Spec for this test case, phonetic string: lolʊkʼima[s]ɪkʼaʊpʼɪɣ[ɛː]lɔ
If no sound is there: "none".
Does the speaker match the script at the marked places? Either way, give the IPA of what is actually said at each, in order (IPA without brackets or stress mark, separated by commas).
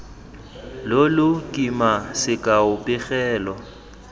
s, ɛː